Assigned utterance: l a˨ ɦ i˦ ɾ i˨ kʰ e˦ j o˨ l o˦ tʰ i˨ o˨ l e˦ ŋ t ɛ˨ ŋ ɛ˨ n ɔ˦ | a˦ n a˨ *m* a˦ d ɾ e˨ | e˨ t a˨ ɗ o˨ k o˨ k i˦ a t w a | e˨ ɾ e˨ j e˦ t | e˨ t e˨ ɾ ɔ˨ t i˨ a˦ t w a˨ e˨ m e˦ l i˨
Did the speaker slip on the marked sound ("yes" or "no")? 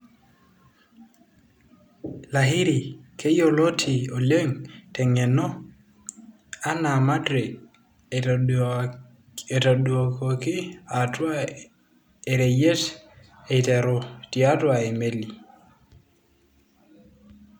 no